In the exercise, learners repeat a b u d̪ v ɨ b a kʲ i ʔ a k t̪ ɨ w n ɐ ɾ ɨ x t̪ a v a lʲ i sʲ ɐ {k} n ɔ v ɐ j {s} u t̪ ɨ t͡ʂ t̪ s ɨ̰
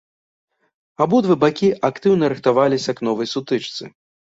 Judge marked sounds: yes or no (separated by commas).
yes, yes